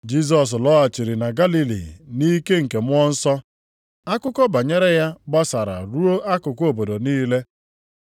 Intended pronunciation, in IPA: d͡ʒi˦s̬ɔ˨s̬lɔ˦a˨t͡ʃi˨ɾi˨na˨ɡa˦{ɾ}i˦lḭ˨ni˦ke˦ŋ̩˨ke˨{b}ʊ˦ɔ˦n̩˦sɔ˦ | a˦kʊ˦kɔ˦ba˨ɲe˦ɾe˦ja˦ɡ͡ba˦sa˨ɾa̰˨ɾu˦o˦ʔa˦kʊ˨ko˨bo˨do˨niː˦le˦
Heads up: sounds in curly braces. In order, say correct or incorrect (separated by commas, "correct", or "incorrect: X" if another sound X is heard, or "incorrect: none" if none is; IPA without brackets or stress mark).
incorrect: l, incorrect: m